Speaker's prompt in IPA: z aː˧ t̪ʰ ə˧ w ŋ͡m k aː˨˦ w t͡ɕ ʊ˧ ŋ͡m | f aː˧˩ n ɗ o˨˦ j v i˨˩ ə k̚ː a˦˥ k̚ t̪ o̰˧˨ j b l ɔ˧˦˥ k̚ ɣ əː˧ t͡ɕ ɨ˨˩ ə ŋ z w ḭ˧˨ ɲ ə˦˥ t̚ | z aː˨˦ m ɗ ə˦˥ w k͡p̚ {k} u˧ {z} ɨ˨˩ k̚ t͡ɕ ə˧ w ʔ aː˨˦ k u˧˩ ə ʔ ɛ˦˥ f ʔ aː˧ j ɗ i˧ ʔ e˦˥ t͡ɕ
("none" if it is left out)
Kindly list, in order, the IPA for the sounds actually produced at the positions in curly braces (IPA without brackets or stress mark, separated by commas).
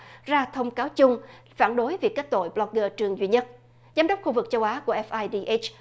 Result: x, v